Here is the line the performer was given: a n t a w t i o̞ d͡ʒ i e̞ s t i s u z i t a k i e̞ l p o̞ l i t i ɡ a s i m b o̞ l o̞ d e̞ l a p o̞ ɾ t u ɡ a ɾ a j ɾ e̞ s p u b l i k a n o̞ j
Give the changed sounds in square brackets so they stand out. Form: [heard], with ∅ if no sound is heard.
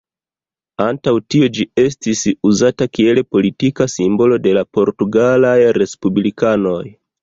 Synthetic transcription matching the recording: a n t a w t i o̞ d͡ʒ i e̞ s t i s u z [a] t a k i e̞ l p o̞ l i t i [k] a s i m b o̞ l o̞ d e̞ l a p o̞ ɾ t u ɡ a [l] a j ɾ e̞ s p u b l i k a n o̞ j